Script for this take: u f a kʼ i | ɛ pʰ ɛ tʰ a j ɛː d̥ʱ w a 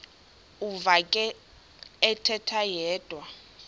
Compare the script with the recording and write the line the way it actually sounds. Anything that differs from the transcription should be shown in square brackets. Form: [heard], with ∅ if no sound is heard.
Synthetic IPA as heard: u [v] a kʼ [ɛ] | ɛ [tʰ] ɛ tʰ a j ɛː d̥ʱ w a